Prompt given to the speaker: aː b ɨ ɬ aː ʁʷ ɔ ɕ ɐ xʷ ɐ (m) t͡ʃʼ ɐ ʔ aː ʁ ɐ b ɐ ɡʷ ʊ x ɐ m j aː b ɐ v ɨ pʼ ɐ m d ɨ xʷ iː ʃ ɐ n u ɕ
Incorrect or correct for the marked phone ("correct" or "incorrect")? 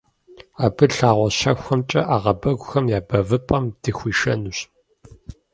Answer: correct